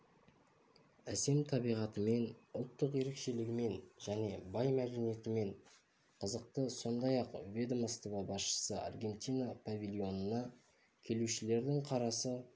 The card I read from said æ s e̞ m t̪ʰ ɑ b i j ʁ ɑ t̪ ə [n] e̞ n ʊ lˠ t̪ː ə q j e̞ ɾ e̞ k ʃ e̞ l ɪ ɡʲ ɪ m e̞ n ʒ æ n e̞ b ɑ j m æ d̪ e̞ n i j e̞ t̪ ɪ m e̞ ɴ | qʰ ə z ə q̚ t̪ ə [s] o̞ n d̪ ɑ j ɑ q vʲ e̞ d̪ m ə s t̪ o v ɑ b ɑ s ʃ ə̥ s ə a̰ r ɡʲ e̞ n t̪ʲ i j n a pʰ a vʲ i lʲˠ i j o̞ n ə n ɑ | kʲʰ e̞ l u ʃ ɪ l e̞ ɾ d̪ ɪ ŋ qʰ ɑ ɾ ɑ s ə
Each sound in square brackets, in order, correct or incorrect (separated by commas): incorrect, correct